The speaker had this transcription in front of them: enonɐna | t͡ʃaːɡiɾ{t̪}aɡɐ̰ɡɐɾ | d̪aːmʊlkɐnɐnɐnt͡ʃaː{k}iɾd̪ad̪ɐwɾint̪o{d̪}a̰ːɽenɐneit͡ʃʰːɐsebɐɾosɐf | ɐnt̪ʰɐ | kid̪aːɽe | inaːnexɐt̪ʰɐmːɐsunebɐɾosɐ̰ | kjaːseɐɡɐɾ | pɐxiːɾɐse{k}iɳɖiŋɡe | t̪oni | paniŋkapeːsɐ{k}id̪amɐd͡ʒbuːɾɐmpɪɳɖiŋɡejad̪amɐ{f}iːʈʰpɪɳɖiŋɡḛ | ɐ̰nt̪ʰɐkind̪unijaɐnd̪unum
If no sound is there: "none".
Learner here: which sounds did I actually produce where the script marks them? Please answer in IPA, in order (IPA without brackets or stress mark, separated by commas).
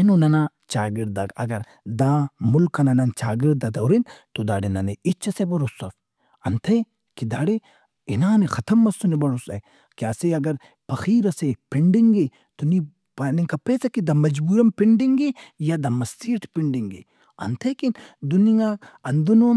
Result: d̪, ɡ, d̪, p, k, s